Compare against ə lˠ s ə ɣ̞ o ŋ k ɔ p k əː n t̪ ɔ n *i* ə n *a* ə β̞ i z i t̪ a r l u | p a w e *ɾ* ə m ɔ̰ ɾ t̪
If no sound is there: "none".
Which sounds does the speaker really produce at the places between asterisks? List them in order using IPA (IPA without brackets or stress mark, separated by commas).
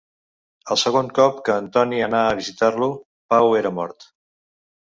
i, a, ɾ